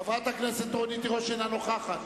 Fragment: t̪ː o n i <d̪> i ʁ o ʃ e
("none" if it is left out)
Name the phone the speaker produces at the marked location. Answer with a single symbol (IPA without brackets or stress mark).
t̪